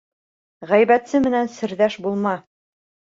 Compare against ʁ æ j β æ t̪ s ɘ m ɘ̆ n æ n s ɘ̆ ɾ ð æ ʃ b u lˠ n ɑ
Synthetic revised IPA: ʁ æ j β æ t̪ s ɘ m ɘ̆ n æ n s ɘ̆ ɾ ð æ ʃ b u lˠ m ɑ